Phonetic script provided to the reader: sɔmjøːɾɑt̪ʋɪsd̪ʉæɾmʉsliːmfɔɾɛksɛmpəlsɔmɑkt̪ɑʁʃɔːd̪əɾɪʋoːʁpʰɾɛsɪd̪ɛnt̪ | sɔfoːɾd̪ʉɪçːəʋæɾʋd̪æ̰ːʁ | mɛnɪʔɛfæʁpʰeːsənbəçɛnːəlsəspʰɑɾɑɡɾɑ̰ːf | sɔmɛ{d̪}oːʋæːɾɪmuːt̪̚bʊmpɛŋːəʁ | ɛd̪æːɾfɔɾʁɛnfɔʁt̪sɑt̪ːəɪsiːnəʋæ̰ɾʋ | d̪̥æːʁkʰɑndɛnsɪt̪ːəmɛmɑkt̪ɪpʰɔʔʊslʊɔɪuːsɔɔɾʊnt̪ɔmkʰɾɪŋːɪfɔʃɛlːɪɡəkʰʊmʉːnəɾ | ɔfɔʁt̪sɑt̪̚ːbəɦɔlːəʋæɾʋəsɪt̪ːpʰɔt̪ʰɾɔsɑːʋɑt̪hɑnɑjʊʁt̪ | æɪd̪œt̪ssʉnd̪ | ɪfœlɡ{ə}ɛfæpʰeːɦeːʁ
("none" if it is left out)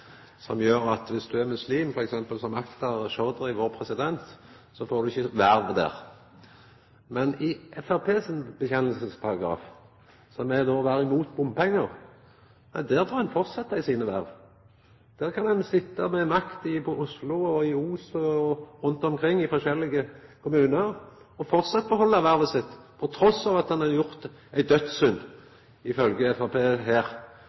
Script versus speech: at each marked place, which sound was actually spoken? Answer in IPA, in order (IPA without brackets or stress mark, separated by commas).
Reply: d̪, ə